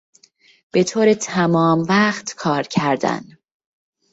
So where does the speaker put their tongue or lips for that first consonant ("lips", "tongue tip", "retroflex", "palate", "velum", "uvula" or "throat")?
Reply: lips